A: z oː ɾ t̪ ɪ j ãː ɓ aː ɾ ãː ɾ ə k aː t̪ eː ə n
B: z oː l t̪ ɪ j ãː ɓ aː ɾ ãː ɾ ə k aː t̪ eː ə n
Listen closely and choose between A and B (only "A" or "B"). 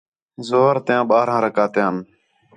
A